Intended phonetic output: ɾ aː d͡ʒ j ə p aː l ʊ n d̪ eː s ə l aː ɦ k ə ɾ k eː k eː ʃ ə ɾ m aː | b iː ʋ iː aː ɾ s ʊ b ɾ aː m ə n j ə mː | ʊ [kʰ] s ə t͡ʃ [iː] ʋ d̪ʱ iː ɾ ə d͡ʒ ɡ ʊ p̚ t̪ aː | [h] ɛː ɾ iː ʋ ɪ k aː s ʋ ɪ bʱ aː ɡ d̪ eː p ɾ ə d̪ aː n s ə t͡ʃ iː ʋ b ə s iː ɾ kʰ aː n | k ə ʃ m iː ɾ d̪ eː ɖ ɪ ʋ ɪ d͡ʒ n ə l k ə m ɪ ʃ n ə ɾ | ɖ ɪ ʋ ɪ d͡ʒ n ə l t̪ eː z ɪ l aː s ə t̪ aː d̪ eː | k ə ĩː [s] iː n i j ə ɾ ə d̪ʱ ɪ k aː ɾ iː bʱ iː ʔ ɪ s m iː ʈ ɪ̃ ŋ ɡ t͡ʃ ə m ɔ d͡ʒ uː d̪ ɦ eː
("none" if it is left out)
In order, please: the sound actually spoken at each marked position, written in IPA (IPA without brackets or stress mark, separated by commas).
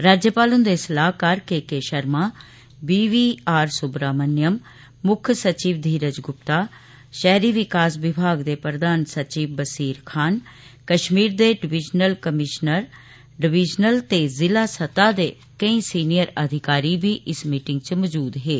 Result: kʰ, iː, ʃ, s